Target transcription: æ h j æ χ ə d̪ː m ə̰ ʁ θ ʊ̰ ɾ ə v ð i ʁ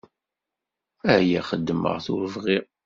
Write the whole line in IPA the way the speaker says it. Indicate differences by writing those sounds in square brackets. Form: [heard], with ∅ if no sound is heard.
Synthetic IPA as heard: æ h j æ χ ə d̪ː m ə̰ ʁ θ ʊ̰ ɾ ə v [ʁ] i ʁ